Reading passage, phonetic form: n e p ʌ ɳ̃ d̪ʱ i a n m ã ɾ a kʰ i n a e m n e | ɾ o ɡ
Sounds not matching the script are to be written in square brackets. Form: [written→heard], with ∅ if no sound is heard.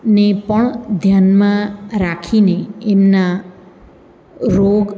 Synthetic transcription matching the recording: n e p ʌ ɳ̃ d̪ʱ [i→j] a n m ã ɾ a kʰ i n [a→e] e m n [e→a] | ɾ o ɡ